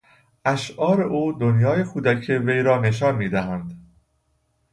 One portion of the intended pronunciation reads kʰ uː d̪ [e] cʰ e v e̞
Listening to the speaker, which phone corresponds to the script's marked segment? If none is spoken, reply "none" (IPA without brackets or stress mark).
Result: æ